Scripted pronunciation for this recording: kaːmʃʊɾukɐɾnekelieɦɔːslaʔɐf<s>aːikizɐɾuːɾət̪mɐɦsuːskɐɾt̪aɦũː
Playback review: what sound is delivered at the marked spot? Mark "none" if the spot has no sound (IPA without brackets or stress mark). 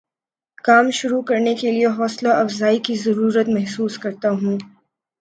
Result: z